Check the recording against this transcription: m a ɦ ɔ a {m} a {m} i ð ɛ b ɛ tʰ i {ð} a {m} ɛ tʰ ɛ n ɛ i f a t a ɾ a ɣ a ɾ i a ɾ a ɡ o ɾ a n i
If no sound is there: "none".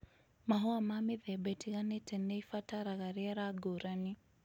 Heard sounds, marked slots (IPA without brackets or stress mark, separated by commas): m, m, ɣ, n